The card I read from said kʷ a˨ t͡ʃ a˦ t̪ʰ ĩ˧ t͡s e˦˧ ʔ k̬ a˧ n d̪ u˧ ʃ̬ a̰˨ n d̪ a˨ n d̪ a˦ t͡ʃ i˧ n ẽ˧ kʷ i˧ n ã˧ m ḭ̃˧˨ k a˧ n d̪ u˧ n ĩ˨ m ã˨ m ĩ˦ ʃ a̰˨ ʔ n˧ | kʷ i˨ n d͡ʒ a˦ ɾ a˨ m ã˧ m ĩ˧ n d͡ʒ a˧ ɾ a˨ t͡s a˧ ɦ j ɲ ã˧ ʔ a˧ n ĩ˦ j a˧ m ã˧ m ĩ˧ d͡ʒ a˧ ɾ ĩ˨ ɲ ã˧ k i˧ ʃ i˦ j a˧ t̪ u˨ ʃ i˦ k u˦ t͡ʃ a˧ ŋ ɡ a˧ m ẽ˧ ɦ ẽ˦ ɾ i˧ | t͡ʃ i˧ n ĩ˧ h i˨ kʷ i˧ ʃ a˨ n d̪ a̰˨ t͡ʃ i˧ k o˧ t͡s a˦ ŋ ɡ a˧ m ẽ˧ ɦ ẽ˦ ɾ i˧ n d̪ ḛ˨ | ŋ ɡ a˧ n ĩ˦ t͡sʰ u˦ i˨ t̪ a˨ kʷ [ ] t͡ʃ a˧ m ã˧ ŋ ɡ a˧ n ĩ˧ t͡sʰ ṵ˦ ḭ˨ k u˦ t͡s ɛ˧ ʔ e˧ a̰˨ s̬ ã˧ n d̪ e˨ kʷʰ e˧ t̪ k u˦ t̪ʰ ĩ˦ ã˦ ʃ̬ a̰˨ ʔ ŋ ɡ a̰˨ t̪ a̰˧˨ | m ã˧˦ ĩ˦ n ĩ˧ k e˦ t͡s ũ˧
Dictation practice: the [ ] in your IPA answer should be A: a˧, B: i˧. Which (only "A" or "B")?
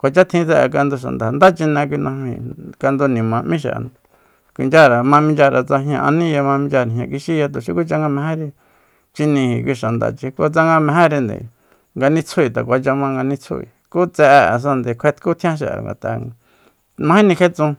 A